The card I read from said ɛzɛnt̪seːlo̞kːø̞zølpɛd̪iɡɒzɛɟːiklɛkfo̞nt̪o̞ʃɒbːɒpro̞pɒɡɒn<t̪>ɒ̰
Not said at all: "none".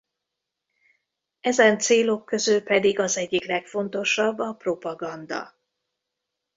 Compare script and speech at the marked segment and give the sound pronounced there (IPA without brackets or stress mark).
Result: d̪